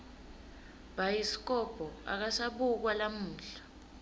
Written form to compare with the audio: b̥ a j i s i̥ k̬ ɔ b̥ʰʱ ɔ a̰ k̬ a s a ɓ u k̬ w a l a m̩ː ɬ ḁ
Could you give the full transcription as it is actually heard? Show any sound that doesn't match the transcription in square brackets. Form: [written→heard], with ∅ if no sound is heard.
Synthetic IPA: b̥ a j i s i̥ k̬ ɔ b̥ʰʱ ɔ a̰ k̬ a s a ɓ u k̬ w a l a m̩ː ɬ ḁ